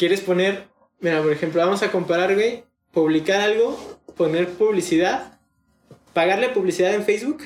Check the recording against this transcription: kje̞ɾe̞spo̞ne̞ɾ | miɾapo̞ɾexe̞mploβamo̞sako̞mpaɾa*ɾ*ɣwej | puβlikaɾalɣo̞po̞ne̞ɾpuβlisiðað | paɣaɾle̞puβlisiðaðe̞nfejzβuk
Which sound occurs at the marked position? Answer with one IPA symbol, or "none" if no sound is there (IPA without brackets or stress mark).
ɾ